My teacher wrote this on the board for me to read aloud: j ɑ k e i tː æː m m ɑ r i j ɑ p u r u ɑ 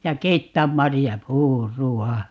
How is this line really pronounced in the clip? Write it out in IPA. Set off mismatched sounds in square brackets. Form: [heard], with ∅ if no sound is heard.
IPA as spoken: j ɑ k e i tː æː m m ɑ r i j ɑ p [uː] r u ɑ